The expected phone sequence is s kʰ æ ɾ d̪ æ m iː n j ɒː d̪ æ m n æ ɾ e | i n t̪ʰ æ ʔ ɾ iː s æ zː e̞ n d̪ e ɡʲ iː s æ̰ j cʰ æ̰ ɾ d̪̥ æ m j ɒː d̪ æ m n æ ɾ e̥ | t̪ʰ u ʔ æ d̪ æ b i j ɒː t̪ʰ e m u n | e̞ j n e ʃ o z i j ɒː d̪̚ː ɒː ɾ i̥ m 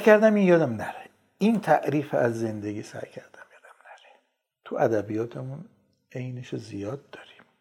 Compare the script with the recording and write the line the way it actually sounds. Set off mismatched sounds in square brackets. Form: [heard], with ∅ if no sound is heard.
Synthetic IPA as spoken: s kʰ æ ɾ d̪ æ m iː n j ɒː d̪ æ m n æ ɾ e | i n t̪ʰ æ ʔ ɾ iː [f] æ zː e̞ n d̪ e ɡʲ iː s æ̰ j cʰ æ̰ ɾ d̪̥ æ m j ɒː d̪ æ m n æ ɾ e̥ | t̪ʰ u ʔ æ d̪ æ b i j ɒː t̪ʰ e m u n | e̞ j n e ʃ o z i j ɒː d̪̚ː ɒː ɾ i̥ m